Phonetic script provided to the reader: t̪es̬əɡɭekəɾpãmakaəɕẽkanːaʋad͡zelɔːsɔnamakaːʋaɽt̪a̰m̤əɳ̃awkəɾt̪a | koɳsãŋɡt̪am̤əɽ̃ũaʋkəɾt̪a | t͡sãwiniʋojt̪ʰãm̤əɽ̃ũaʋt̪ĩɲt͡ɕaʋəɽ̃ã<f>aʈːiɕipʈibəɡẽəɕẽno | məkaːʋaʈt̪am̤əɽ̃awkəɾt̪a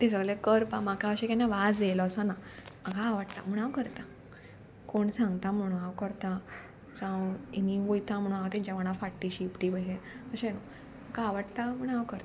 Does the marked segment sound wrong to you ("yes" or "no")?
no